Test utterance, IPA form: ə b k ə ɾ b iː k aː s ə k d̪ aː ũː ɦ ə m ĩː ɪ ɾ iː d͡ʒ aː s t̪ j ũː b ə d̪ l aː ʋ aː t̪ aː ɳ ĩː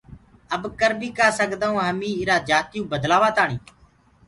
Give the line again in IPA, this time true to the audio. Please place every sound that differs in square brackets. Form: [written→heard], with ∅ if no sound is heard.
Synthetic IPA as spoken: ə b k ə ɾ b iː k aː s ə k d̪ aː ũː ɦ ə m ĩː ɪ ɾ [iː→aː] d͡ʒ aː [s→∅] t̪ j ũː b ə d̪ l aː ʋ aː t̪ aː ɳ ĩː

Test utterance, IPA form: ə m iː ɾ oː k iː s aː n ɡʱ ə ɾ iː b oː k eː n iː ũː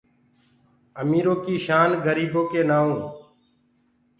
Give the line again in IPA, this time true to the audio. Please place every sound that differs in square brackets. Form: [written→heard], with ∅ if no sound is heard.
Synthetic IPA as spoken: ə m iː ɾ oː k iː [s→ʃ] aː n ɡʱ ə ɾ iː b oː k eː n [iː→aː] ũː

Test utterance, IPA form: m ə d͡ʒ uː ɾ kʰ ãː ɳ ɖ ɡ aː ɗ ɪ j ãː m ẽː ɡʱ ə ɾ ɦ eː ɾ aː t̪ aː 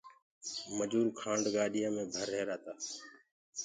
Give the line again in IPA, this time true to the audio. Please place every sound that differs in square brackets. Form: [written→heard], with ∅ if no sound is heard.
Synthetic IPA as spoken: m ə d͡ʒ uː ɾ kʰ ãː ɳ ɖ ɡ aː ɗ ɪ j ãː m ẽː [ɡʱ→bʱ] ə ɾ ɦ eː ɾ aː t̪ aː

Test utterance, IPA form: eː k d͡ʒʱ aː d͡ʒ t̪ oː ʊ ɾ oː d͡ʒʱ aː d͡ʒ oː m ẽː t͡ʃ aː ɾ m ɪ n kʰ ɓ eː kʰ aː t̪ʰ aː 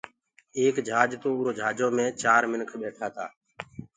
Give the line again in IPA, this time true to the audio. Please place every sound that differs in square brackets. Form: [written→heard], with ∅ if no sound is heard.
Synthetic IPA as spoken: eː k d͡ʒʱ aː d͡ʒ t̪ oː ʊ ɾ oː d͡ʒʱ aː d͡ʒ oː m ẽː t͡ʃ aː ɾ m ɪ n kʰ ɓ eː [kʰ→ʈʰ] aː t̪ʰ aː

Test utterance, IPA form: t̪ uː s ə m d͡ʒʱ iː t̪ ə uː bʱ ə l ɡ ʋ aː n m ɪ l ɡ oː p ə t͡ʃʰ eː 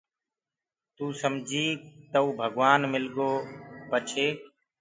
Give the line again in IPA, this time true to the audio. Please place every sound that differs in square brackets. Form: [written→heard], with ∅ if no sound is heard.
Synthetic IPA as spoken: t̪ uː s ə m d͡ʒʱ iː t̪ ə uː bʱ ə [l→∅] ɡ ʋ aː n m ɪ l ɡ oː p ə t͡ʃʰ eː

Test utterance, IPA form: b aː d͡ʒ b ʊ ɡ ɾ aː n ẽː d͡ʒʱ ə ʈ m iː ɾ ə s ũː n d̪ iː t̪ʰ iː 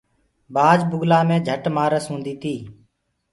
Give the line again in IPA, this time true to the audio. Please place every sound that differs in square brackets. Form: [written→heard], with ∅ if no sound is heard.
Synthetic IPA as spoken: b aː d͡ʒ b ʊ ɡ [ɾ→l] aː [n→m] ẽː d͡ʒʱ ə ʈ m [iː→aː] ɾ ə s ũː n d̪ iː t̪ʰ iː

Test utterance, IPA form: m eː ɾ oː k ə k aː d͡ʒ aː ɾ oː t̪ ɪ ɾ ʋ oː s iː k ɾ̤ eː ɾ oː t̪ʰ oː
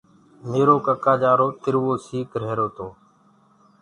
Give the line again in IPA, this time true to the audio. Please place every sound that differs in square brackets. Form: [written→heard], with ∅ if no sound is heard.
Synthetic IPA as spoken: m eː ɾ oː k ə k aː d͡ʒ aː ɾ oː t̪ ɪ ɾ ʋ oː s iː k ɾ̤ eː ɾ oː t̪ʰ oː

